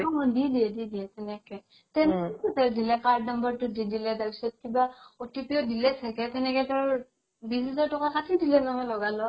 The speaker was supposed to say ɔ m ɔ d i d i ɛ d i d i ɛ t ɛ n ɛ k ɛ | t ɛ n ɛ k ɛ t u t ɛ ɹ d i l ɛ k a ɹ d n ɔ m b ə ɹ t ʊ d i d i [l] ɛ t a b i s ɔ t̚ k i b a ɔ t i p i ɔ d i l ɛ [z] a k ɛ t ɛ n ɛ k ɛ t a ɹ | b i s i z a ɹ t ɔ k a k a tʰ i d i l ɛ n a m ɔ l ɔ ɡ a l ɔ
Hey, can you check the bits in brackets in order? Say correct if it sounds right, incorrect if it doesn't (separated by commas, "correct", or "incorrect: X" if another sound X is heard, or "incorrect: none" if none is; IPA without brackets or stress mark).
correct, incorrect: s